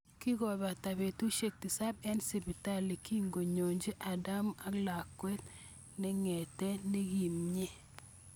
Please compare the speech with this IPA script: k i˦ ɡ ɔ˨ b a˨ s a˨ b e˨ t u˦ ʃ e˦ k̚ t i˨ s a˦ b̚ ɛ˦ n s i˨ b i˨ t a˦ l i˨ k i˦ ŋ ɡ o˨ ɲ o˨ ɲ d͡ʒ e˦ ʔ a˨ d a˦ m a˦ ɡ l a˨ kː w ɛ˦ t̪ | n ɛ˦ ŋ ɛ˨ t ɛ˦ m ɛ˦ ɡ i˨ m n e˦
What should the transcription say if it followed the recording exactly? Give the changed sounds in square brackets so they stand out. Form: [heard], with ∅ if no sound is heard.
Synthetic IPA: k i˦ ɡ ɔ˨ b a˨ [t] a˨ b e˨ t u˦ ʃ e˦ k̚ t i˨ s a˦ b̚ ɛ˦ n s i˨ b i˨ t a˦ l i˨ k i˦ ŋ ɡ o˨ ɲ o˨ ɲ d͡ʒ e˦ ʔ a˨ d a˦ m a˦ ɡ l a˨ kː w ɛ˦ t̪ | n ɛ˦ ŋ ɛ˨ t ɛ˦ [n] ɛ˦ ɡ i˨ m [ɲ] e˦